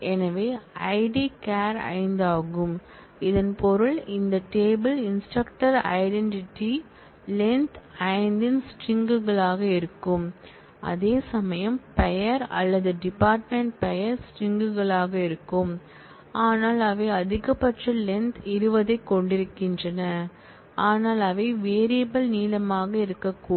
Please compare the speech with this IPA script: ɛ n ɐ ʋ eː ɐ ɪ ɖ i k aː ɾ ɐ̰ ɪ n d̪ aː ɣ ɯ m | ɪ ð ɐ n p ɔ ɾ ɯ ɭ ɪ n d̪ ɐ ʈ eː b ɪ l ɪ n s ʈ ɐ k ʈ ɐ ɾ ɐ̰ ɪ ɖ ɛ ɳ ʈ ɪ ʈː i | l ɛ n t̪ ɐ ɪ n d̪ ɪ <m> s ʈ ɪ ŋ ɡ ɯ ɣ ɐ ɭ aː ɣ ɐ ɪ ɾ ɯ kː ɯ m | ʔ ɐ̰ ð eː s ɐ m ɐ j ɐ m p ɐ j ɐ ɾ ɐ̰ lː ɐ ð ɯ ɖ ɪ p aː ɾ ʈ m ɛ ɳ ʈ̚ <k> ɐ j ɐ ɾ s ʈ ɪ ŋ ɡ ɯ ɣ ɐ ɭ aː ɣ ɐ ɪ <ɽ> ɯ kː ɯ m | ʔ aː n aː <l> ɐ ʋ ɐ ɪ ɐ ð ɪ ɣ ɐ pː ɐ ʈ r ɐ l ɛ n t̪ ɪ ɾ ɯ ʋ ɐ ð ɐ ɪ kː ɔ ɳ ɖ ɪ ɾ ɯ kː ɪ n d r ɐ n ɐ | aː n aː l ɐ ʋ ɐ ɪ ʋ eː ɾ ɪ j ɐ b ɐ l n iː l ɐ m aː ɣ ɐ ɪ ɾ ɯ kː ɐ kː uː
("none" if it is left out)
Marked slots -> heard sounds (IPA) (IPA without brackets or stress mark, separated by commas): n, p, ɾ, l